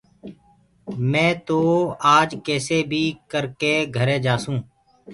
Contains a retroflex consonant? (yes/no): no